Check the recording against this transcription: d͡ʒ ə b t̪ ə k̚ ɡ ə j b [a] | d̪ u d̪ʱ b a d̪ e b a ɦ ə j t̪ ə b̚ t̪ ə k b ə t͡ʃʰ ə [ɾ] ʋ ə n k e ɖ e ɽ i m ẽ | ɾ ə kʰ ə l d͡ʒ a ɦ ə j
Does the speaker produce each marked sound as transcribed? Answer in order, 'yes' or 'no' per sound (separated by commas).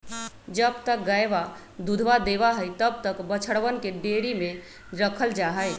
yes, no